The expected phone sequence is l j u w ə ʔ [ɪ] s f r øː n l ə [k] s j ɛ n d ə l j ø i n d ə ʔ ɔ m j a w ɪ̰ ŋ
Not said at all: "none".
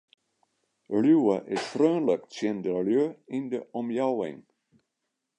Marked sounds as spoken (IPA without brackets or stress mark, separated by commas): ɪ, k